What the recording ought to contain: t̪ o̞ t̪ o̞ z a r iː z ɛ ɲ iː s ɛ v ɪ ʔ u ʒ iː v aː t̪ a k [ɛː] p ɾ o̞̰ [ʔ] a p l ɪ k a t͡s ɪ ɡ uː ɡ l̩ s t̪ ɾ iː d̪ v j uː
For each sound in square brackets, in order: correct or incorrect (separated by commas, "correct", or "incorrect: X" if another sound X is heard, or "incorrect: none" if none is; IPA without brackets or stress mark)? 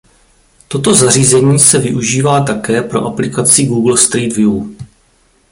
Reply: correct, correct